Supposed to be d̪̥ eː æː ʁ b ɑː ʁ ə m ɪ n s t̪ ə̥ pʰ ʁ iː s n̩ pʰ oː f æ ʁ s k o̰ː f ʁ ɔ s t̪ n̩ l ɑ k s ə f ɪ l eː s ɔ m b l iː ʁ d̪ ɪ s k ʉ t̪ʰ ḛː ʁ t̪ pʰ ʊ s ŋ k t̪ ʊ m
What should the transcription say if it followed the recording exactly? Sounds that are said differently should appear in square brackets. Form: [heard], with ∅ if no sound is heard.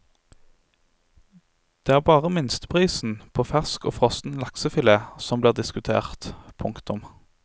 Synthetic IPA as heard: d̪̥ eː æː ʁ b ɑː ʁ ə m ɪ n s t̪ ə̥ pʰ ʁ iː s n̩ pʰ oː f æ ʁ s k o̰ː f ʁ ɔ s t̪ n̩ l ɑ k s ə f ɪ l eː s ɔ m b l iː ʁ d̪ ɪ s k ʉ t̪ʰ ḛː ʁ t̪ pʰ ʊ [∅] ŋ k t̪ ʊ m

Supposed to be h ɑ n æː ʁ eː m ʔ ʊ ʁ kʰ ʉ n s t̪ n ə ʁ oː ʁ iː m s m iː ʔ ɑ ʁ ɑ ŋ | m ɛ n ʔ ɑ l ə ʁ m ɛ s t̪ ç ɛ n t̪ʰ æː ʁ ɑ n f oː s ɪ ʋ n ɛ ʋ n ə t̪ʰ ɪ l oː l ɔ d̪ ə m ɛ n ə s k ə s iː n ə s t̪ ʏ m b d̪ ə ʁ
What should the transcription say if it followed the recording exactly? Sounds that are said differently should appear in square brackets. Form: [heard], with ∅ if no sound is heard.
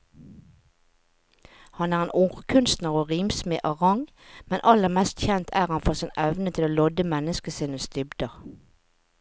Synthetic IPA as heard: h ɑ n æː ʁ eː [n] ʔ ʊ ʁ kʰ ʉ n s t̪ n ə ʁ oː ʁ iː m s m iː ʔ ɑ ʁ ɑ ŋ | m ɛ n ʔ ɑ l ə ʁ m ɛ s t̪ ç ɛ n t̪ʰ æː ʁ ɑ n f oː s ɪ [∅] n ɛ ʋ n ə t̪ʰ ɪ l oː l ɔ d̪ ə m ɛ n ə s k ə s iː n ə s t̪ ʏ [∅] b d̪ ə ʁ

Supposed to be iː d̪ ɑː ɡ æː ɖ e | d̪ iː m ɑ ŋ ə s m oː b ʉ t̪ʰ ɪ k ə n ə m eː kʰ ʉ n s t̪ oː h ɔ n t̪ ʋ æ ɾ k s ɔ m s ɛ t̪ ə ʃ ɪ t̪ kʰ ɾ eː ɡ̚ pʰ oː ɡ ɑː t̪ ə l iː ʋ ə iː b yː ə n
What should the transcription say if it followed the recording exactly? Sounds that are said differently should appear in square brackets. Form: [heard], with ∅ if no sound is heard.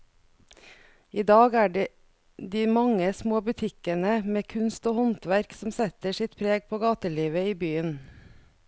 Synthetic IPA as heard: iː d̪ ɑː ɡ æː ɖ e | d̪ iː m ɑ ŋ ə s m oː b ʉ t̪ʰ ɪ k ə n ə m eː kʰ ʉ n s t̪ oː h ɔ n t̪ ʋ æ ɾ k s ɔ m s ɛ t̪ ə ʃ ɪ t̪ [pʰ] ɾ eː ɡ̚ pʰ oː ɡ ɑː t̪ ə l iː ʋ ə iː b yː ə n

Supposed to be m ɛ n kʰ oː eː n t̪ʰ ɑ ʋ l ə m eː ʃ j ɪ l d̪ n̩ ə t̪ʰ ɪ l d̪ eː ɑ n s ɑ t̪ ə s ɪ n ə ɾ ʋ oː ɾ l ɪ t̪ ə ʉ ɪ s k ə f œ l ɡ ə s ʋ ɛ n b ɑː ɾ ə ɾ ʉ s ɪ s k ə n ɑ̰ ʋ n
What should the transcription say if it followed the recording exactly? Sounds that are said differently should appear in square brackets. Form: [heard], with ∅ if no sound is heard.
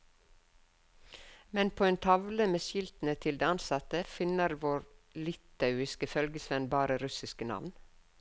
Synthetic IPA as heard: m ɛ n [pʰ] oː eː n t̪ʰ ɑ ʋ l ə m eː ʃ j ɪ l [t̪] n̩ ə t̪ʰ ɪ l d̪ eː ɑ n s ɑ t̪ ə [f] ɪ n ə ɾ ʋ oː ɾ l ɪ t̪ [ɑ] ʉ ɪ s k ə f œ l ɡ ə s ʋ ɛ n b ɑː ɾ ə ɾ ʉ s ɪ s k ə n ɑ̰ ʋ n

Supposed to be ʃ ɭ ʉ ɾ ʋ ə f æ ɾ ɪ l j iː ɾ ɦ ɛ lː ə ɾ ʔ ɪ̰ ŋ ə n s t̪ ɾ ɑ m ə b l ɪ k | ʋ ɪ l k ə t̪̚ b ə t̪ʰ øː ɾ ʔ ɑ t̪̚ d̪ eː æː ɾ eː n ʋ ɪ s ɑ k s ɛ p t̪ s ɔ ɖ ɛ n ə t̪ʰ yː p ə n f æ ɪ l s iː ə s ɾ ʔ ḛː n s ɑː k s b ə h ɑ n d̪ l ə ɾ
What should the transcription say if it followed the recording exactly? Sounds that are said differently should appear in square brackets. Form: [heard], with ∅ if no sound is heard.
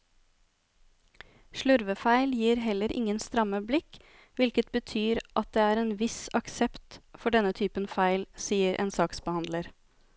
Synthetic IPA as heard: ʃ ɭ ʉ ɾ ʋ ə f æ [∅] ɪ l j iː ɾ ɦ ɛ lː ə ɾ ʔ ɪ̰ ŋ ə n s t̪ ɾ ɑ m ə b l ɪ k | ʋ ɪ l k ə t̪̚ b ə t̪ʰ [yː] ɾ ʔ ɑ t̪̚ d̪ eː æː ɾ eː n ʋ ɪ s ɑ k s ɛ p t̪ [f] ɔ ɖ ɛ n ə t̪ʰ yː p ə n f æ ɪ l s iː ə [∅] ɾ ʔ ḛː n s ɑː k s b ə h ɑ n d̪ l ə ɾ

